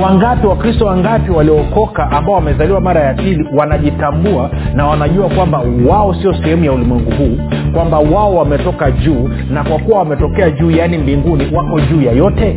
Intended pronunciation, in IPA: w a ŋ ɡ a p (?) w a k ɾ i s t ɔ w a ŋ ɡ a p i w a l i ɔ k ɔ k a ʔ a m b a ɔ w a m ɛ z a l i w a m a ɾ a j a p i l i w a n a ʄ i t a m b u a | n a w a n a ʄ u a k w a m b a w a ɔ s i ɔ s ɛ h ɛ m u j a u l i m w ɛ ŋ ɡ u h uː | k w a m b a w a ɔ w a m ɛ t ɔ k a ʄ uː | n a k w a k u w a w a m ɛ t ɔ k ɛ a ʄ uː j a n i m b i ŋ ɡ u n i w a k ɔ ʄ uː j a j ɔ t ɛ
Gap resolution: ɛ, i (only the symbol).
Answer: i